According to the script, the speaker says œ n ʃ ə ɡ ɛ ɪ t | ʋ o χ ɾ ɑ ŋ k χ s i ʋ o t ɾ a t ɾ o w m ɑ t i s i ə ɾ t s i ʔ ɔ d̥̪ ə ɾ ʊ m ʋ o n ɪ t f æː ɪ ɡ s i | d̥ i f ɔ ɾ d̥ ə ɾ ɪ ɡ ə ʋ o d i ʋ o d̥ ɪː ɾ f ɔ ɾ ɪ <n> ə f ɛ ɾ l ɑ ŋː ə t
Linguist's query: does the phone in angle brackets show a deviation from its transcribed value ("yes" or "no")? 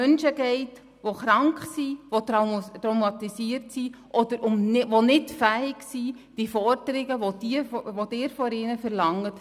no